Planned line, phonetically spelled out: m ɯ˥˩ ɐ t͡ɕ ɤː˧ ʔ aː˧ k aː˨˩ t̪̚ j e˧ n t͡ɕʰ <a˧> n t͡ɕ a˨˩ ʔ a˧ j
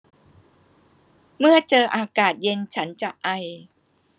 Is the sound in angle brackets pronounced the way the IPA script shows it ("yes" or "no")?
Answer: no